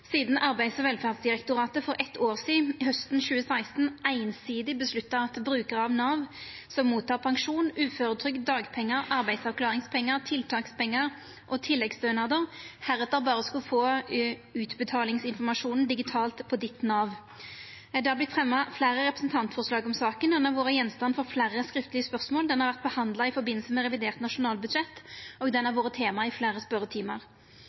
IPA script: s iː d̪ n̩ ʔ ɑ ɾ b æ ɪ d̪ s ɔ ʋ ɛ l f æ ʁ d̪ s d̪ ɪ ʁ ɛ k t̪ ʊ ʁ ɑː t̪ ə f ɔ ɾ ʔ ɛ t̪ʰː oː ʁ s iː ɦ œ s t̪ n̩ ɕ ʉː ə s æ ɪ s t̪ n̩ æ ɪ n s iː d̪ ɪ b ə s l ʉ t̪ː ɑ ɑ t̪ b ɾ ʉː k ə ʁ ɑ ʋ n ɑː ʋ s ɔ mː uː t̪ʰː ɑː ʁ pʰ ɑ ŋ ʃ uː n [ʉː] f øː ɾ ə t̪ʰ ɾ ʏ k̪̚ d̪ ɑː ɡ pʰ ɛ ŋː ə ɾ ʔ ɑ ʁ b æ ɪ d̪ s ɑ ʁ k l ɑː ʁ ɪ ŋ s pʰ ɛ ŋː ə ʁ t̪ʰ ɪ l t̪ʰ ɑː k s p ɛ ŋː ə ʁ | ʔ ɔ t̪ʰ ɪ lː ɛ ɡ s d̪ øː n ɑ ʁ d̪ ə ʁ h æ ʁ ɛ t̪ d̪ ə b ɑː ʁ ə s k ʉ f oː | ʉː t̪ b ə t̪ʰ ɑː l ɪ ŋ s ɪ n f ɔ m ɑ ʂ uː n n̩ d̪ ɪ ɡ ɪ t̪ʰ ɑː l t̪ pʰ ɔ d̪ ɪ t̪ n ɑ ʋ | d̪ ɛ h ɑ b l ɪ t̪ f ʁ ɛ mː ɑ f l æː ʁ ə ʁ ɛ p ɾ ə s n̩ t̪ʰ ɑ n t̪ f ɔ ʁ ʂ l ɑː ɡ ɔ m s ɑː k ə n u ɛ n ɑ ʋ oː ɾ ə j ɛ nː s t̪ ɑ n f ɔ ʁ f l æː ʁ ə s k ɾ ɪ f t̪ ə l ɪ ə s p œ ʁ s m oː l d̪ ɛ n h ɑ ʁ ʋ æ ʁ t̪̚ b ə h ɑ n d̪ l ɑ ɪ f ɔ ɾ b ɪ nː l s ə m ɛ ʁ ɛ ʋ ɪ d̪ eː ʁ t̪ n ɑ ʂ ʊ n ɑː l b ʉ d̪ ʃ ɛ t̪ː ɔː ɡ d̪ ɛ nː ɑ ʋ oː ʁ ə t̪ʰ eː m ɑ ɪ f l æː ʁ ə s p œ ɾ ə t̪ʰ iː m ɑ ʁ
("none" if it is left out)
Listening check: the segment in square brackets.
ʉː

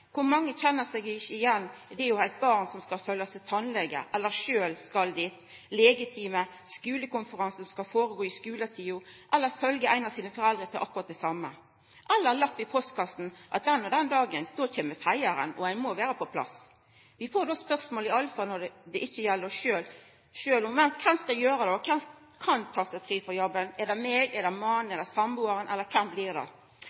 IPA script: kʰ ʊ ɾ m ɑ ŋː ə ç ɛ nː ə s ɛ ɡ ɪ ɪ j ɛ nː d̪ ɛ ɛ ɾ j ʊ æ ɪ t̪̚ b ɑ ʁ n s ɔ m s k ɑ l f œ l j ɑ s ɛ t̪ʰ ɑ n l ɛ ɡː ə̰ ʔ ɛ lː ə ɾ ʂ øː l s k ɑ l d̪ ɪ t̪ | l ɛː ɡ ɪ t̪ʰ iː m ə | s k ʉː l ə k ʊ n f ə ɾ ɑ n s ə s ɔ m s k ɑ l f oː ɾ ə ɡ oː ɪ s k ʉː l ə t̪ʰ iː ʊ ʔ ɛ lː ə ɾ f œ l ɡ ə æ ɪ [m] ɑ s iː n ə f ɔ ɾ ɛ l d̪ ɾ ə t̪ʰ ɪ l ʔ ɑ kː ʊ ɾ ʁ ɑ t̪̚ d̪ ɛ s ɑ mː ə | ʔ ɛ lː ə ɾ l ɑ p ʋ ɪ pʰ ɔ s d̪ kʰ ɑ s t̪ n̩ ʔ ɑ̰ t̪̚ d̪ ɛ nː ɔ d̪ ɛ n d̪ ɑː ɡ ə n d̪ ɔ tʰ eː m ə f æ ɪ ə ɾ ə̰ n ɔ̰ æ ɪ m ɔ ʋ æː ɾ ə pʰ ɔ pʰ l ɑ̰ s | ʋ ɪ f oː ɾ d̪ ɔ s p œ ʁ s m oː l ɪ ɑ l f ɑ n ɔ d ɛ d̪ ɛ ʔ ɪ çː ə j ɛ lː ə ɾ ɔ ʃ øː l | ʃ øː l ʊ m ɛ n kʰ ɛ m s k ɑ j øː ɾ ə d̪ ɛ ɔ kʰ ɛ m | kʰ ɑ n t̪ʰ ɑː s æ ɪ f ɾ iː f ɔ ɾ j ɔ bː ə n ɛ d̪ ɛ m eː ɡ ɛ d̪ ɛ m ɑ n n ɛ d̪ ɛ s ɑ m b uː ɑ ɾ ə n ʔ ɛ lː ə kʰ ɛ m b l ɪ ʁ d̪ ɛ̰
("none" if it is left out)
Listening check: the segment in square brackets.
n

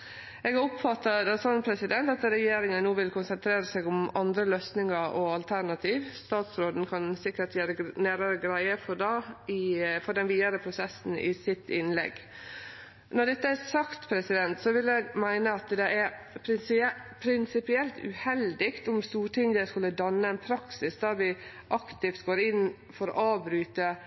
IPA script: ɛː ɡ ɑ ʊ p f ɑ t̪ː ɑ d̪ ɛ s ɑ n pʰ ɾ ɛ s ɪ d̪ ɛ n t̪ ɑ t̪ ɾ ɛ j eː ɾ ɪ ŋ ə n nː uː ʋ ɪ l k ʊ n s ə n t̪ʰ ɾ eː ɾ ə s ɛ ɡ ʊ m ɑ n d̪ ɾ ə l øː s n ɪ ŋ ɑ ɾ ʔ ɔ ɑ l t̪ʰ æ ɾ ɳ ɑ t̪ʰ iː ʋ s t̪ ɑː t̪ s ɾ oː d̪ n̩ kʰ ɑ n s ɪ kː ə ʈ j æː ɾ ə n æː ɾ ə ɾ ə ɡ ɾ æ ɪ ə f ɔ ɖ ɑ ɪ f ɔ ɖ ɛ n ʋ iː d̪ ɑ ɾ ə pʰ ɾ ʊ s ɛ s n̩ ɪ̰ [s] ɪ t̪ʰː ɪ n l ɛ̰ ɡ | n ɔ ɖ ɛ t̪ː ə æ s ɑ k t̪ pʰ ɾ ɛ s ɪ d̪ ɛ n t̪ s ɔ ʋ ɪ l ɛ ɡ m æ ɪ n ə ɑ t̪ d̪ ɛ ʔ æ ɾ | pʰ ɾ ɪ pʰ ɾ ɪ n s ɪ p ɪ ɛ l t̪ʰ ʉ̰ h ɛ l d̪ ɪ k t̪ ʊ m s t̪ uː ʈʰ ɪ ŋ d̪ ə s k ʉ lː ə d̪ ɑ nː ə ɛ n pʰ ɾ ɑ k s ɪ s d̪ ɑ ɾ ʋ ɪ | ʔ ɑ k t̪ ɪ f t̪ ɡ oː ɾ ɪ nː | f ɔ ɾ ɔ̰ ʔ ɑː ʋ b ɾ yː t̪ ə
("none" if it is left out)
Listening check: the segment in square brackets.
s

